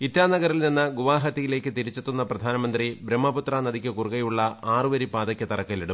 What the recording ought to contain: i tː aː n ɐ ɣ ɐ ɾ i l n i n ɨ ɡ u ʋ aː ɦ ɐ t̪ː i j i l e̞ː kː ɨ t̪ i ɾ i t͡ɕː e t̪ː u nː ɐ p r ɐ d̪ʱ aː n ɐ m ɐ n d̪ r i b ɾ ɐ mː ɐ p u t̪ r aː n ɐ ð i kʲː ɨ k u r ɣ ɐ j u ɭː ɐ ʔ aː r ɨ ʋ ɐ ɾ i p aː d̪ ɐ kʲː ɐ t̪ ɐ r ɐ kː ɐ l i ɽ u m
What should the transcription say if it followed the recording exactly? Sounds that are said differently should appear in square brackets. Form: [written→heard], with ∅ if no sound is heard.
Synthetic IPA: i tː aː n ɐ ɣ ɐ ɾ i l n i [n→nː] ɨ ɡ u ʋ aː ɦ ɐ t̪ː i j i l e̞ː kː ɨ t̪ i ɾ i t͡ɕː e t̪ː u nː ɐ p r ɐ d̪ʱ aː n ɐ m ɐ n d̪ r i b ɾ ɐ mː ɐ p u t̪ r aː n ɐ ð i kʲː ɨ k u r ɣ ɐ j u ɭː ɐ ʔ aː r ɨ ʋ ɐ ɾ i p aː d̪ ɐ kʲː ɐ t̪ ɐ r ɐ kː ɐ l i ɽ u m